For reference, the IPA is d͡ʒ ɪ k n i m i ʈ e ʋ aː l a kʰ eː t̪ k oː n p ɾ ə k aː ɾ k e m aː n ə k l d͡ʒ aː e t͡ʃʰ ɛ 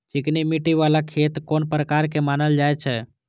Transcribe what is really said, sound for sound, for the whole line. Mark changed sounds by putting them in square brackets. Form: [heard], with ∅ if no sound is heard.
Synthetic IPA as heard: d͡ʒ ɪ k n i m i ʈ [i] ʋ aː l a kʰ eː t̪ k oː n p ɾ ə k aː ɾ k e m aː n ə [∅] l d͡ʒ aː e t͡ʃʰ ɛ